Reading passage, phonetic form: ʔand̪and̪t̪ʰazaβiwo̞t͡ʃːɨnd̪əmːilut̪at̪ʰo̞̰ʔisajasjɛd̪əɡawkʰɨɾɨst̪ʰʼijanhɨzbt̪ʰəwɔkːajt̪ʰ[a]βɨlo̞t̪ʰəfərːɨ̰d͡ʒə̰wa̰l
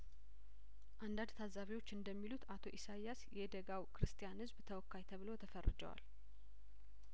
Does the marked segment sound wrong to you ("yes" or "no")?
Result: yes